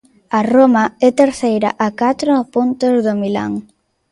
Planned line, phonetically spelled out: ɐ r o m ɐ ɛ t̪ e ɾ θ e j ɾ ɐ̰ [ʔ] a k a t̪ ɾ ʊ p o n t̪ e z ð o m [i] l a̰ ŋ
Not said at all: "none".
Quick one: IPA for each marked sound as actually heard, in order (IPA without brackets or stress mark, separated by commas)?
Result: ʔ, i